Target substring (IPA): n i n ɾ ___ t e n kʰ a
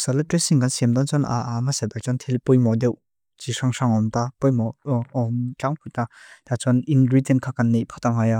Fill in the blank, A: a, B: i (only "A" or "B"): B